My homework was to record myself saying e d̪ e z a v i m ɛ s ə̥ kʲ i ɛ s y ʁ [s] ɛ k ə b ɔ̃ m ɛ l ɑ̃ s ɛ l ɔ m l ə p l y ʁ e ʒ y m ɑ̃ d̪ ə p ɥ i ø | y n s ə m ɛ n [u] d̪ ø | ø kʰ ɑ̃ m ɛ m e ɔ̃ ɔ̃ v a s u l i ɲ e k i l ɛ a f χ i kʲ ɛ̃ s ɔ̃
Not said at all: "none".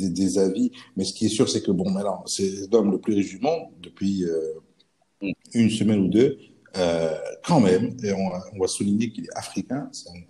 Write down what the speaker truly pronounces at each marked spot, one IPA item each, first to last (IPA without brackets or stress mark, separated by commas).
s, u